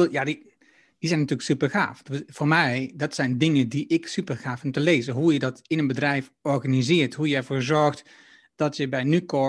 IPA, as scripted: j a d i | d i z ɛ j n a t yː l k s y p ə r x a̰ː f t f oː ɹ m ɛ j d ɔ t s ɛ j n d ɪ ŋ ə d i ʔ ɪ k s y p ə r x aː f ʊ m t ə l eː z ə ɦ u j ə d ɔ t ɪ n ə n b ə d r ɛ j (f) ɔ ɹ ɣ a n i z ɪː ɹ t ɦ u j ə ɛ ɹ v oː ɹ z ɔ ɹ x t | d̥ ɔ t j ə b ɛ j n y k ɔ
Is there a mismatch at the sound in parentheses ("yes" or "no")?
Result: no